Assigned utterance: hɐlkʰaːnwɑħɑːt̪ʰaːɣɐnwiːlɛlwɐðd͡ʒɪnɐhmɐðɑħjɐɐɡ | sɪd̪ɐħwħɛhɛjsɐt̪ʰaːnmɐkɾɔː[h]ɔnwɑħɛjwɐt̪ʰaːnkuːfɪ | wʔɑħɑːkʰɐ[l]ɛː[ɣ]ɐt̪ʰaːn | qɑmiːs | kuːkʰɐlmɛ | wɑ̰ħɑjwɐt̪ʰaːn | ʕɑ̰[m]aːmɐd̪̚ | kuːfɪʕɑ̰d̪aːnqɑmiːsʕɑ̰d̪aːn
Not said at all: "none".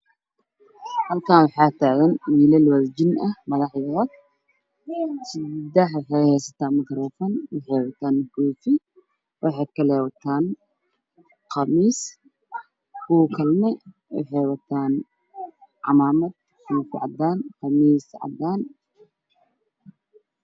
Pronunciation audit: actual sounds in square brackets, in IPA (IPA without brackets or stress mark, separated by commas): f, l, w, m